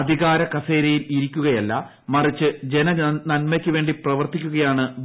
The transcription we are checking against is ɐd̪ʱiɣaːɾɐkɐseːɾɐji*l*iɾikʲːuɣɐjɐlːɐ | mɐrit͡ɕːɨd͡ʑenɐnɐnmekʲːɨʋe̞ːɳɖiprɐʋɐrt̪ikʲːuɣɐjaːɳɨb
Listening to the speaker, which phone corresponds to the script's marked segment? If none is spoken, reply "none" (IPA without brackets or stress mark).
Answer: l